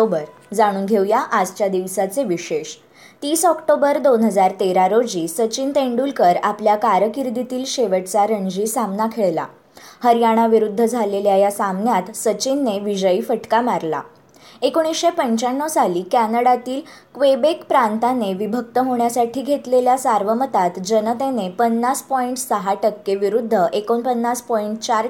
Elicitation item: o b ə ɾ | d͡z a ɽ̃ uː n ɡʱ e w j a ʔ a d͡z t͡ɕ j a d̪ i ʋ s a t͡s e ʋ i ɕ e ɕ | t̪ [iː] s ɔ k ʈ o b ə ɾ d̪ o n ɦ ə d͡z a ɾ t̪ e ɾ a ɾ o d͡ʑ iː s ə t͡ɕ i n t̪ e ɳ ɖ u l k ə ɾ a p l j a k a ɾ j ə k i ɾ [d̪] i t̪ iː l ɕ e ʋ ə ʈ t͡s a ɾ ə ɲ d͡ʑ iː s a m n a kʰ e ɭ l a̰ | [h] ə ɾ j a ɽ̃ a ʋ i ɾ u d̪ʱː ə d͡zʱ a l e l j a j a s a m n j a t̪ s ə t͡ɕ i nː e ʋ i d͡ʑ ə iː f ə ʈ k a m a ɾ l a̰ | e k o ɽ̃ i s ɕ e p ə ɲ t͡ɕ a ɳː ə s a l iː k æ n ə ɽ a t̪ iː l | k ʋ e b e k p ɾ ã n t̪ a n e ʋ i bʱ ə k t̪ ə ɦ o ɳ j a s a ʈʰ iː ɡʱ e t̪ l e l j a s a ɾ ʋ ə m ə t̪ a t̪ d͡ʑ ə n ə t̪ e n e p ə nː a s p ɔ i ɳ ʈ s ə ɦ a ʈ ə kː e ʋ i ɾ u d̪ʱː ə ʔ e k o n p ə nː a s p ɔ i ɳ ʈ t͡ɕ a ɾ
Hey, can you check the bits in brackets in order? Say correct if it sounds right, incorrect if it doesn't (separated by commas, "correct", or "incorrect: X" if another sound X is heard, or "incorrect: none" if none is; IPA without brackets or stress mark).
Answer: correct, correct, correct